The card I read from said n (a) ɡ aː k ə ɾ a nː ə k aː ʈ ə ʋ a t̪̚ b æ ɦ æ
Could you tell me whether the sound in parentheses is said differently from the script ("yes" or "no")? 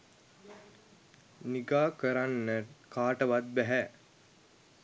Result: yes